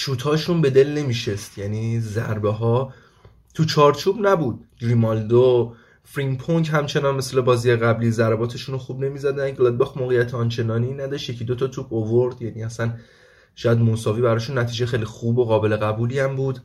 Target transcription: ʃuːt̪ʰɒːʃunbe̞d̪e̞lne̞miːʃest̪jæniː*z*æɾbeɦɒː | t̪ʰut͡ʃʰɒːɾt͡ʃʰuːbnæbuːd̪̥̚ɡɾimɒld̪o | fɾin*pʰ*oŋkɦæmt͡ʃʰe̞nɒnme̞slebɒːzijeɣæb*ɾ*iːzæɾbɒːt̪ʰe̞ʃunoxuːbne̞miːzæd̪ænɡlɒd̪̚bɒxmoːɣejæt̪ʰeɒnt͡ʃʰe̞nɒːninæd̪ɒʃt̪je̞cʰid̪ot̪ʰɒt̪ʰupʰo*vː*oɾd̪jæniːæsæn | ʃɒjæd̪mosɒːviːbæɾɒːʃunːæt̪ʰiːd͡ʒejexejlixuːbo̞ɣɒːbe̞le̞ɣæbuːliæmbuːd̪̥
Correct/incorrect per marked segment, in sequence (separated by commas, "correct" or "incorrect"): correct, correct, incorrect, incorrect